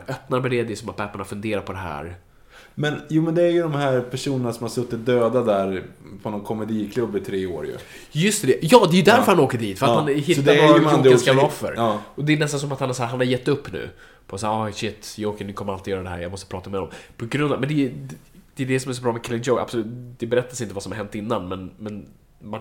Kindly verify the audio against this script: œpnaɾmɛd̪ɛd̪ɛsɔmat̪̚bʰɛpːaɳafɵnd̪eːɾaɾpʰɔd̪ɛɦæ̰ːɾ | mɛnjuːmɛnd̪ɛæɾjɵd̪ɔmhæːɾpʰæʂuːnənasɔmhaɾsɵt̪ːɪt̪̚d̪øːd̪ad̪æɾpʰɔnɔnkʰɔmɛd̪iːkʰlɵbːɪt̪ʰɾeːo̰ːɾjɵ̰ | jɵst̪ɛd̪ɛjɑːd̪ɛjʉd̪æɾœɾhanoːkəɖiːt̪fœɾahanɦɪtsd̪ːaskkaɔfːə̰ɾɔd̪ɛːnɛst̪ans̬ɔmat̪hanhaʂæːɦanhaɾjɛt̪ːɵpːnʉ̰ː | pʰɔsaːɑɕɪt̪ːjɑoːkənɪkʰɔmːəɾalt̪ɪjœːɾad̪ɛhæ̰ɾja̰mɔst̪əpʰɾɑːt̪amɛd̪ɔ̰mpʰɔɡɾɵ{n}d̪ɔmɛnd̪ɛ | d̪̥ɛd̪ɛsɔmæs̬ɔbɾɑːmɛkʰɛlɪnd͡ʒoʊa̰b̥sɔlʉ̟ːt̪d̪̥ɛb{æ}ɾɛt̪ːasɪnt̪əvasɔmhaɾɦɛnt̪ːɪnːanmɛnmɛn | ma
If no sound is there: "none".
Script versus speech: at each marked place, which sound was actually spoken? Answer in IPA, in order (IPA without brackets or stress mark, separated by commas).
n, ɛ